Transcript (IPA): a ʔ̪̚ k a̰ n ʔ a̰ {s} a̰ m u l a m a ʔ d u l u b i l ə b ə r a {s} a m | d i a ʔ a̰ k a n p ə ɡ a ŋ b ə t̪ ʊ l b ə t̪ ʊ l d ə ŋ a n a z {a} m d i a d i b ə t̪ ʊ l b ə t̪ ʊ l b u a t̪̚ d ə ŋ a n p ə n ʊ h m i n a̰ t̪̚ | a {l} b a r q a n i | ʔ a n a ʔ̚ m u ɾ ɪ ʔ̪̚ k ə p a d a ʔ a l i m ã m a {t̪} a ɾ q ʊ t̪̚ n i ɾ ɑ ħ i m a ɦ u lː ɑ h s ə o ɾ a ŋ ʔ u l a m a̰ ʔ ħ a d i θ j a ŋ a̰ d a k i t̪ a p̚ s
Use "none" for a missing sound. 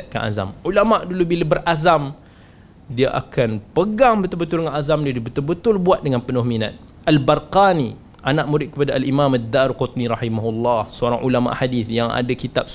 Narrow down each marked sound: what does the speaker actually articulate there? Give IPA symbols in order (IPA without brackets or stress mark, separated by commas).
z, z, a, l, d̪